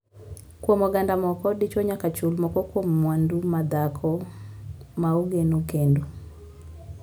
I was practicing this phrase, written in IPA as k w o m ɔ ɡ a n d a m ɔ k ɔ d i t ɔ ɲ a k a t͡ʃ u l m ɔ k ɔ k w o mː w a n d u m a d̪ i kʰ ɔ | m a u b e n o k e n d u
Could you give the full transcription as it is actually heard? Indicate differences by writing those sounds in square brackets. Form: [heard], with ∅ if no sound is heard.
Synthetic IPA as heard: k w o m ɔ ɡ a n d a m ɔ k ɔ d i [t͡ʃ] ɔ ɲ a k a t͡ʃ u l m ɔ k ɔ k w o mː w a n d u m a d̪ [a] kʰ ɔ | m a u [ɡ] e n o k e n d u